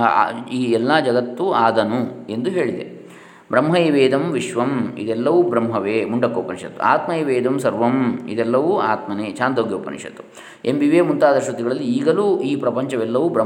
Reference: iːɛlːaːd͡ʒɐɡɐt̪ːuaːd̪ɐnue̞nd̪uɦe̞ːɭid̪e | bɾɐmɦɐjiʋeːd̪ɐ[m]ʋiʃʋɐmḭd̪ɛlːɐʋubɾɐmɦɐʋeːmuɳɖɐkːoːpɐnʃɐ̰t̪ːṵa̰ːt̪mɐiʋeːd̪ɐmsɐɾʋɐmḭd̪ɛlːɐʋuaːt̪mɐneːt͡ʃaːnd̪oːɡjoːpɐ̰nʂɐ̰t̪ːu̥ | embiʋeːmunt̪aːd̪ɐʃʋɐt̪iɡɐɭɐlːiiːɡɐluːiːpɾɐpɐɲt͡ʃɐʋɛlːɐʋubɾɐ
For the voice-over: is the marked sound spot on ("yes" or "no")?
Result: yes